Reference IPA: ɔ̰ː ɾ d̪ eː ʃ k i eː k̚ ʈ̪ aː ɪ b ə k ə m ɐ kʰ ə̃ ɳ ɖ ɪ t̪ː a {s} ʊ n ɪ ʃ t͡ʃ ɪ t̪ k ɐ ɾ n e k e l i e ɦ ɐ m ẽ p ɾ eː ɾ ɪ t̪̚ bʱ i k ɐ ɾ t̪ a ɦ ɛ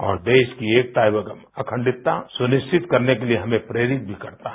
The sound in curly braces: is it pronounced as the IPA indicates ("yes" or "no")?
yes